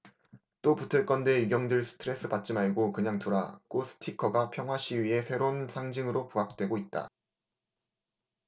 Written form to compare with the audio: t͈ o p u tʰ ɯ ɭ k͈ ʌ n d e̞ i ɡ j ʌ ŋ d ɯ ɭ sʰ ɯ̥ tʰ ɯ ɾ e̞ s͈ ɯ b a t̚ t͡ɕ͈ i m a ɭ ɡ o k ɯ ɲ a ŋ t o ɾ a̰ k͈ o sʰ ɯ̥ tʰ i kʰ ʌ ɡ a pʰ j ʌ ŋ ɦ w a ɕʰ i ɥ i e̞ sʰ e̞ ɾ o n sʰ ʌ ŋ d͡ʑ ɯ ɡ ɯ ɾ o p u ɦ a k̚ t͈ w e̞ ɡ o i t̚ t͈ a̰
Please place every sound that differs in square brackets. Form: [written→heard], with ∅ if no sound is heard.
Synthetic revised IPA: t͈ o p u tʰ ɯ ɭ k͈ ʌ n d e̞ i ɡ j ʌ ŋ d ɯ ɭ sʰ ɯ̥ tʰ ɯ ɾ e̞ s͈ ɯ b a t̚ t͡ɕ͈ i m a ɭ ɡ o k ɯ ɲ a ŋ t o ɾ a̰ k͈ o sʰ ɯ̥ tʰ i kʰ ʌ ɡ a pʰ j ʌ ŋ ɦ w a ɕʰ i ɥ i e̞ sʰ e̞ ɾ o n sʰ [ʌ→a] ŋ d͡ʑ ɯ [ɡ→ŋ] ɯ ɾ o p u ɦ a k̚ t͈ w e̞ ɡ o i t̚ t͈ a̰